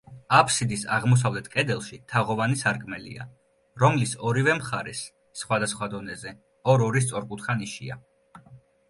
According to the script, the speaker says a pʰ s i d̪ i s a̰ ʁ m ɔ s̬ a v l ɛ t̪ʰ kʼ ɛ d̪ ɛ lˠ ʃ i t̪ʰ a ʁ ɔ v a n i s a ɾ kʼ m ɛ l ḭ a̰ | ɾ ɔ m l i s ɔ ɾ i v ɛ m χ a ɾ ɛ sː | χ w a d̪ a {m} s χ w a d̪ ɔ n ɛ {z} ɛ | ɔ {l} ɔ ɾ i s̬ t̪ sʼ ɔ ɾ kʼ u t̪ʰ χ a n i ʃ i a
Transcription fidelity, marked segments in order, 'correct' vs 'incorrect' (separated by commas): incorrect, correct, incorrect